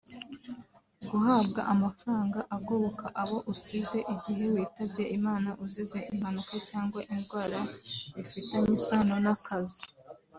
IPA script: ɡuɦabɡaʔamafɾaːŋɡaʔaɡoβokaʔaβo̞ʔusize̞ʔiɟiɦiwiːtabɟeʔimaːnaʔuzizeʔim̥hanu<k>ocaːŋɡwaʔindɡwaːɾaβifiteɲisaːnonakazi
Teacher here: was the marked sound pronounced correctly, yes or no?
yes